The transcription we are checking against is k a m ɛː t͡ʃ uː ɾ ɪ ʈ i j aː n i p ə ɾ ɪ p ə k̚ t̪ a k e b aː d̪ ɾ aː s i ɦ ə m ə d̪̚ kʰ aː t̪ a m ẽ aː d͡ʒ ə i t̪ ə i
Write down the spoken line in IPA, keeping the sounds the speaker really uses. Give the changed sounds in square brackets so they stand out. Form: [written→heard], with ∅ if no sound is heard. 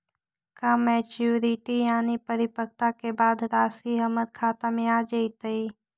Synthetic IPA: k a m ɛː t͡ʃ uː ɾ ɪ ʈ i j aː n i p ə ɾ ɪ p ə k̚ t̪ a k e b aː d̪ ɾ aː s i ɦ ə m ə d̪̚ kʰ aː t̪ a m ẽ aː d͡ʒ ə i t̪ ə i